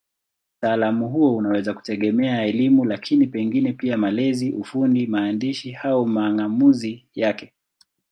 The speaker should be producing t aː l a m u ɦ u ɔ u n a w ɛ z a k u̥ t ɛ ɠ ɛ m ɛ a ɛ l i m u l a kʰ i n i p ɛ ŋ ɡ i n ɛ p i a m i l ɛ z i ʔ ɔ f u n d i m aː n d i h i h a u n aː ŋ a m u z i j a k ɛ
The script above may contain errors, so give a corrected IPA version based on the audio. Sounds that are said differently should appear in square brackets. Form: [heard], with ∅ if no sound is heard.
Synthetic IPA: t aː l a m u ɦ u ɔ u n a w ɛ z a k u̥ t ɛ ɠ ɛ m ɛ a ɛ l i m u l a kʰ i n i p ɛ ŋ ɡ i n ɛ p i a m [a] l ɛ z i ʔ [u] f u n d i m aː n d i [ʃ] i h a u [m] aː ŋ a m u z i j a k ɛ